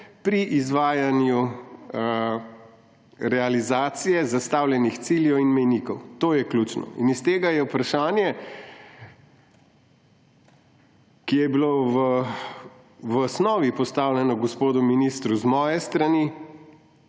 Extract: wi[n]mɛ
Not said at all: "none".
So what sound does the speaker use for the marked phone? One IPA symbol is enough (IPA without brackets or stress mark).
n